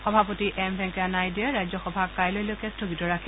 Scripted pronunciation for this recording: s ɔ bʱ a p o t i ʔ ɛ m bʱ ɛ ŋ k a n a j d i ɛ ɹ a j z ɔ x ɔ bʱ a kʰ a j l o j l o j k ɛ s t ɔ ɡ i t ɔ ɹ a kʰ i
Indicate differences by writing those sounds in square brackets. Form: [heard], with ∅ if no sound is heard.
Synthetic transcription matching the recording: [x] ɔ bʱ a p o t i ʔ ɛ m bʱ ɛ ŋ k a n a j d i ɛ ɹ a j z ɔ x ɔ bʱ a [k] a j l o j l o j k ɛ s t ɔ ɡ i t ɔ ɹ a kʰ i